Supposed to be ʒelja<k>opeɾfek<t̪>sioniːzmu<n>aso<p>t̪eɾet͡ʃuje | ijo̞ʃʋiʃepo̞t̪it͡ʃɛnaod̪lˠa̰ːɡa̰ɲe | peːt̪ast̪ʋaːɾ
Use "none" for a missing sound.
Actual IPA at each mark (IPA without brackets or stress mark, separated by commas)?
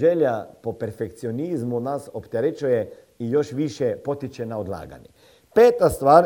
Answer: p, t̪, n, p